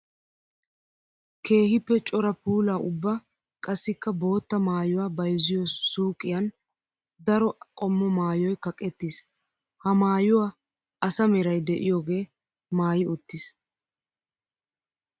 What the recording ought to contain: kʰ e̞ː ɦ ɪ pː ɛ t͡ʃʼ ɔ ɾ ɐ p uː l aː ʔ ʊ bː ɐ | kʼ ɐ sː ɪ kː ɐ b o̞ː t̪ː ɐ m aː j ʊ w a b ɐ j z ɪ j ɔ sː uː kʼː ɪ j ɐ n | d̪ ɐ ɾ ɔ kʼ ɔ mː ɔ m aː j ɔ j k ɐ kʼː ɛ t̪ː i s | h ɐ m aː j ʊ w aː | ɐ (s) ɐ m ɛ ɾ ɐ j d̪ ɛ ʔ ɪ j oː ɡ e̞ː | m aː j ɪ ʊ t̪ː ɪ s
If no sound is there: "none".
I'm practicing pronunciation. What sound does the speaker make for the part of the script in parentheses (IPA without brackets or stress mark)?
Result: s